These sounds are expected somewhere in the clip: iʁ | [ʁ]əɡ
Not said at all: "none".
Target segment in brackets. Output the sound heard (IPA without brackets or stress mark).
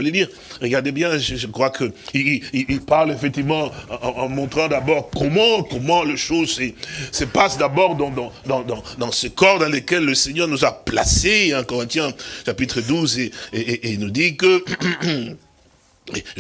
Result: ʁ